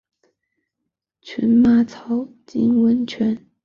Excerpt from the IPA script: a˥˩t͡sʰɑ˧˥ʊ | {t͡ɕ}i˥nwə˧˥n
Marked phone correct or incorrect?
correct